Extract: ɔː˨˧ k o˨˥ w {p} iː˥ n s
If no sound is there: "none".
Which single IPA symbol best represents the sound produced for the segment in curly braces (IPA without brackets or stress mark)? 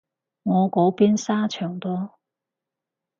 p